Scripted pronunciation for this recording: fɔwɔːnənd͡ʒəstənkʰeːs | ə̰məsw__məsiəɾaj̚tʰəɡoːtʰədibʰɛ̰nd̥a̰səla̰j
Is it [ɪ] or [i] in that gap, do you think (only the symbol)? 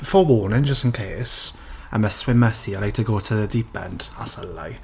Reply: ɪ